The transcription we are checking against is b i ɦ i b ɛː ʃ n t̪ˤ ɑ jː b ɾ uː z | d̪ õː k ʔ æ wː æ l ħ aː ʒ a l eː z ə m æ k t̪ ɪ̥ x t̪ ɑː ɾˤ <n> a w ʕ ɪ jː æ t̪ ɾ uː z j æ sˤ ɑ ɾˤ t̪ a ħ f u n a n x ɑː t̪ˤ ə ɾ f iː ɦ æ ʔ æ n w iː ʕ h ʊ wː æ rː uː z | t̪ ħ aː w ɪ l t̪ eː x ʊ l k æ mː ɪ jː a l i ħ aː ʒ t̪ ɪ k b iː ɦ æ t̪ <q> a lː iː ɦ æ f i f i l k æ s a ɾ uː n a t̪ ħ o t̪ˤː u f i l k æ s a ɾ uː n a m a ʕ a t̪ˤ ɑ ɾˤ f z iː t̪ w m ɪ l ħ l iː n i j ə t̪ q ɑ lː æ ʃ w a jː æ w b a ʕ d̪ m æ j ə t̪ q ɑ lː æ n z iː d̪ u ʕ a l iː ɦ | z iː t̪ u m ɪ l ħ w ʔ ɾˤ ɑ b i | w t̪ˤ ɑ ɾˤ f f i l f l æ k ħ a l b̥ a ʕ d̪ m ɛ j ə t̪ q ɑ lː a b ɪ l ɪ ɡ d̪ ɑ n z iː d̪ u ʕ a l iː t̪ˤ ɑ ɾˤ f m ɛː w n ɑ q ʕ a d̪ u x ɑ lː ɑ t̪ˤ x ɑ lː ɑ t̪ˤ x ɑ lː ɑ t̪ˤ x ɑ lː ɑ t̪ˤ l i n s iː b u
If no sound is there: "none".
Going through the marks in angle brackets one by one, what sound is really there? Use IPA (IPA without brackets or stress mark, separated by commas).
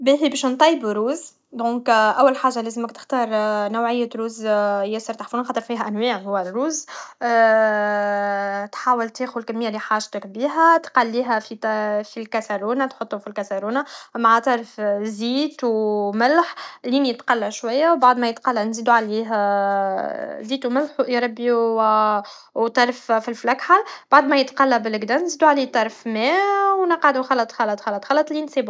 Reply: n, q